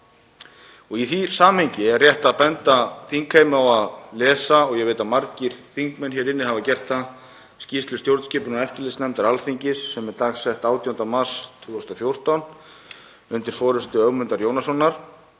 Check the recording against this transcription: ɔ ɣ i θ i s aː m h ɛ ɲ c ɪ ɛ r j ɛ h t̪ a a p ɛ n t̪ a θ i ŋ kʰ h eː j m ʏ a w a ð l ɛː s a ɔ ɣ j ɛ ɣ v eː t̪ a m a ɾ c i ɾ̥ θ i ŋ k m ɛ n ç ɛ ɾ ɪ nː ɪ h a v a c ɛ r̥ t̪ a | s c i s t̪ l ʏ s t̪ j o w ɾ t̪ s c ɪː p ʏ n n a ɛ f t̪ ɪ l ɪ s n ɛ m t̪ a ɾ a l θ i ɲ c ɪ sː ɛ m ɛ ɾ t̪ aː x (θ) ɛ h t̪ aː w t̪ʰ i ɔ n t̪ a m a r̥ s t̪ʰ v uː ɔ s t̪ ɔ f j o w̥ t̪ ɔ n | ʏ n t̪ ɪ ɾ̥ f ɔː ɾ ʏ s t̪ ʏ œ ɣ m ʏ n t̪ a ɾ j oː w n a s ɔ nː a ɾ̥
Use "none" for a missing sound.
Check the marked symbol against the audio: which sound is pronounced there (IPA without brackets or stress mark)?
s